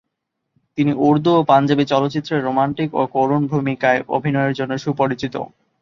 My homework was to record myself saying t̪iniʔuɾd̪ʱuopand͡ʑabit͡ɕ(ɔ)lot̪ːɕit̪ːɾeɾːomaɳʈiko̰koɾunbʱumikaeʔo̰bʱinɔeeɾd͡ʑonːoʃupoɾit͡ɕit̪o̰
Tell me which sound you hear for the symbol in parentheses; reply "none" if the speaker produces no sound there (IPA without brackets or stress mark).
ɔ